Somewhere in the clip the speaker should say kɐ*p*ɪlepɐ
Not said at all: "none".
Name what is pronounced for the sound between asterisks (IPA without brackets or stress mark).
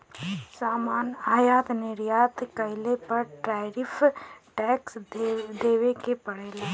none